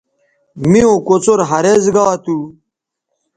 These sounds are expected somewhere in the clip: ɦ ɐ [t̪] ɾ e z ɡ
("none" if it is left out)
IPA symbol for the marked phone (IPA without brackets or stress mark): none